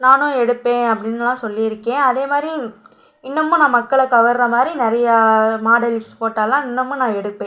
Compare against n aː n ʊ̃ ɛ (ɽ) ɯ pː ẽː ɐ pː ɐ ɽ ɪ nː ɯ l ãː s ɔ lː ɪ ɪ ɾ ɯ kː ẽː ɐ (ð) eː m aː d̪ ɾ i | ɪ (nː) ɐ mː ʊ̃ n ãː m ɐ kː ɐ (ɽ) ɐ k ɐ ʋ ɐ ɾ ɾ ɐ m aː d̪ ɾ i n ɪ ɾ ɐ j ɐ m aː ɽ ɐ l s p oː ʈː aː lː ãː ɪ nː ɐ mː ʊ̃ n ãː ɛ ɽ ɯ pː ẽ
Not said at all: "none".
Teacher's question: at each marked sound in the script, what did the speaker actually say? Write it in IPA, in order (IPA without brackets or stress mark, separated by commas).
ɽ, ð, nː, ɭ